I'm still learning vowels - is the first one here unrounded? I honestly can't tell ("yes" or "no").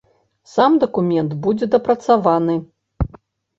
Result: yes